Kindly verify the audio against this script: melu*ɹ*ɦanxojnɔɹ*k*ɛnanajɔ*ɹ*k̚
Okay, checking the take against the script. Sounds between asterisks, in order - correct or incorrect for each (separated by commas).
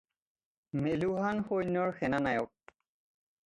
incorrect, incorrect, incorrect